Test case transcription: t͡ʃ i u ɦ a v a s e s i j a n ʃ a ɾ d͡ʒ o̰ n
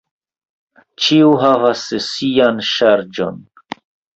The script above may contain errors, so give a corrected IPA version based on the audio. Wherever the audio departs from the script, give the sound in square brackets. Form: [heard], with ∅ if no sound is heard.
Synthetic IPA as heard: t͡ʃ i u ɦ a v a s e s i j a n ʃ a ɾ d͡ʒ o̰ n